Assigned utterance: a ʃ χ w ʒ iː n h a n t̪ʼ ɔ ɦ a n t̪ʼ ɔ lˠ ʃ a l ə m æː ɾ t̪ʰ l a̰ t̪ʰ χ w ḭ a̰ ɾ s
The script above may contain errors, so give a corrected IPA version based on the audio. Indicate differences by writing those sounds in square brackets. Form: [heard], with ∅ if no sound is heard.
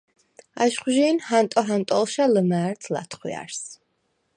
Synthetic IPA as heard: a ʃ χ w ʒ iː n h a n t̪ʼ ɔ ɦ a n t̪ʼ ɔ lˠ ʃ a l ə m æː ɾ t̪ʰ l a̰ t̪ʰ χ w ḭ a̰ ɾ s